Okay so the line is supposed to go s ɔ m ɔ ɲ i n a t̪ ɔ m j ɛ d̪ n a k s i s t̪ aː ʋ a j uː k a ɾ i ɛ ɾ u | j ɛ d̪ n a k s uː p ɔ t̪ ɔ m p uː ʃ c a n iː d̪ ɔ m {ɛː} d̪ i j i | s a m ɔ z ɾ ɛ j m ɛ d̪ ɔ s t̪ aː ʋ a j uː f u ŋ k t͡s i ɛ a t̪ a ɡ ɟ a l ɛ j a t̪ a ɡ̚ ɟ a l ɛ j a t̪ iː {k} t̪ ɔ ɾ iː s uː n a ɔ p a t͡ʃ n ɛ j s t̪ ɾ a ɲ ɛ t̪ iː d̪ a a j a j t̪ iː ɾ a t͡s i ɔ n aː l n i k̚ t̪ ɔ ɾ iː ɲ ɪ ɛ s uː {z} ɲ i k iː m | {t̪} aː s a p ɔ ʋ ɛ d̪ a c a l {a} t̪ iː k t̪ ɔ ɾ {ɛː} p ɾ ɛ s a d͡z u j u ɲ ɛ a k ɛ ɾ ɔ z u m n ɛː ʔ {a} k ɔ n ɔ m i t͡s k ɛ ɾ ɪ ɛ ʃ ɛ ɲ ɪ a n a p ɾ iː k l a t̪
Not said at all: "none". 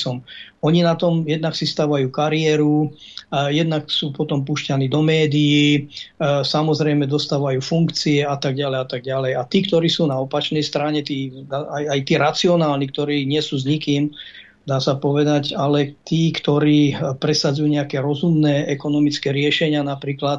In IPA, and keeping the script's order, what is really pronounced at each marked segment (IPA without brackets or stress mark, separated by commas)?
ɛː, k, z, d̪, ɛ, iː, ɛ